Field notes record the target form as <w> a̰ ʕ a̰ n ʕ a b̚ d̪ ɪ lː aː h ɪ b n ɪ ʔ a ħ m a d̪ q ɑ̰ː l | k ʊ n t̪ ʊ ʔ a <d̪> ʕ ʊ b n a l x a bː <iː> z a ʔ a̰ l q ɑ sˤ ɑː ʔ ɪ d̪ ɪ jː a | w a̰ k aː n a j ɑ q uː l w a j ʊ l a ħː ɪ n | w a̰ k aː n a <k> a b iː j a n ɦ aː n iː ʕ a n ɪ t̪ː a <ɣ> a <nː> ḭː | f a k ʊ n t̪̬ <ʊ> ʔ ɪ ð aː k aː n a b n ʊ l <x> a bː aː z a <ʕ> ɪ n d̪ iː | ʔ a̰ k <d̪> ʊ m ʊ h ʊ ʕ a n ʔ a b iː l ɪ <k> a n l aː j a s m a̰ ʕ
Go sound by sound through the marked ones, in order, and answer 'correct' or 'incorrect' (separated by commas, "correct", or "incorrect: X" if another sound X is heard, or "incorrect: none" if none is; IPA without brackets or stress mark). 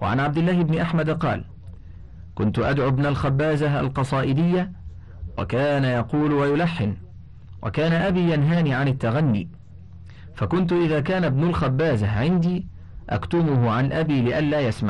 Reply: correct, correct, incorrect: aː, incorrect: ʔ, correct, correct, correct, correct, correct, incorrect: t̪, incorrect: ʔ